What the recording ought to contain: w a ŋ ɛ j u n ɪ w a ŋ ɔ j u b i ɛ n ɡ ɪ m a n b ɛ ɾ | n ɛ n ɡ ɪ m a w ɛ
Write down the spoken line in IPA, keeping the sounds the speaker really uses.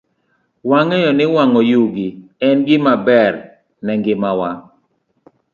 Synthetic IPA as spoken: w a ŋ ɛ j ɔ n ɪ w a ŋ ɔ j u ɡ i ɛ n ɡ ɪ m a b ɛ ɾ | n ɛ ŋ ɡ ɪ m a w a